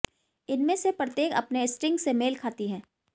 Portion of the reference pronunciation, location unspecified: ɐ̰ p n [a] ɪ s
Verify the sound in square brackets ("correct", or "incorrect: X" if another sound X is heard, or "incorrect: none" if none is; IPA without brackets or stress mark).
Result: incorrect: e